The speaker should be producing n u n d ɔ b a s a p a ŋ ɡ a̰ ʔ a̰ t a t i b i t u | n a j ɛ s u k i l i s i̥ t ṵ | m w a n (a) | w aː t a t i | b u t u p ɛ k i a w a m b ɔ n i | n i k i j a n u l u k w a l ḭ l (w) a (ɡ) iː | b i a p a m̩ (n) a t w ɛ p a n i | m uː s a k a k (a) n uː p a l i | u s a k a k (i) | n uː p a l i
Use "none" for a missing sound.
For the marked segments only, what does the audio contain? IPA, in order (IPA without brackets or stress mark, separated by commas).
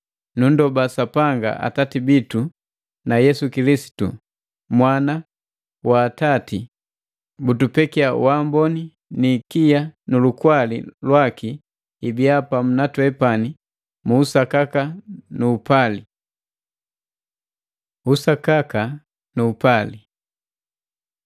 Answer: a, w, k, n, a, a